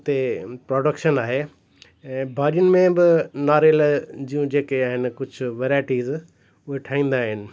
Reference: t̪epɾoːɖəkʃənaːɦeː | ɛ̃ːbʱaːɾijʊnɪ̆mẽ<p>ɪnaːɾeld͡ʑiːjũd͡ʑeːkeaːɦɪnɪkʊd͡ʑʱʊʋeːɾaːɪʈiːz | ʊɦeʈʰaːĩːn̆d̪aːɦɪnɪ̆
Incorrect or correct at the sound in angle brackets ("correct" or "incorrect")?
incorrect